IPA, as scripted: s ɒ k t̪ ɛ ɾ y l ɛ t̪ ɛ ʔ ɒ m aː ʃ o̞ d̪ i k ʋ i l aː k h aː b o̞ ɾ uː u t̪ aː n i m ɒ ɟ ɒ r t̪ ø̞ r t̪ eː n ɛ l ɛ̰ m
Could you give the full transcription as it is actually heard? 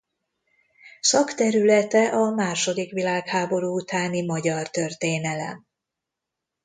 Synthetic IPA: s ɒ k t̪ ɛ ɾ y l ɛ t̪ ɛ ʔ ɒ m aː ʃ o̞ d̪ i k ʋ i l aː k h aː b o̞ ɾ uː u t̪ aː n i m ɒ ɟ ɒ r t̪ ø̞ r t̪ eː n ɛ l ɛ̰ m